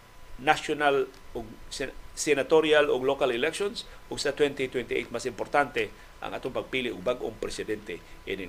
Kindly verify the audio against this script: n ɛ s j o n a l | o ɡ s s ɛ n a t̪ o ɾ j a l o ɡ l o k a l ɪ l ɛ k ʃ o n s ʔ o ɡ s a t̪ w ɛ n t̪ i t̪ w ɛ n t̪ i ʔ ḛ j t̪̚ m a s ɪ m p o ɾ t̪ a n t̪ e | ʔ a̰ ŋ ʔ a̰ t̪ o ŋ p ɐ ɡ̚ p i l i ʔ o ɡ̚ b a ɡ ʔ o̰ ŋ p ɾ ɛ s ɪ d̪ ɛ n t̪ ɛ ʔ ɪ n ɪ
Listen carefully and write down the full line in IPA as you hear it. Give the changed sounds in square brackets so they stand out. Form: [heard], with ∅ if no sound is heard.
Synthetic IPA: n [a] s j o n a l | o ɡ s s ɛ n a t̪ o ɾ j a l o ɡ l o k a l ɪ l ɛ k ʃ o n s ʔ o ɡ s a t̪ w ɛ n t̪ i t̪ w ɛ n t̪ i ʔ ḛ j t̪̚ m a s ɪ m p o ɾ t̪ a n t̪ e | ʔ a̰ ŋ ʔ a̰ t̪ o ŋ p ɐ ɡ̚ p i l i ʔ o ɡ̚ b a ɡ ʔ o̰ ŋ p ɾ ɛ s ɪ d̪ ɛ n t̪ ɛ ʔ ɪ n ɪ